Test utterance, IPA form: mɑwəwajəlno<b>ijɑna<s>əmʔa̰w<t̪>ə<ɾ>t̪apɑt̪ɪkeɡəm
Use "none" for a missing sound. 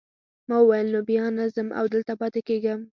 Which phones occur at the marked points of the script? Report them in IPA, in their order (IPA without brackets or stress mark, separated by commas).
b, z, d̪, l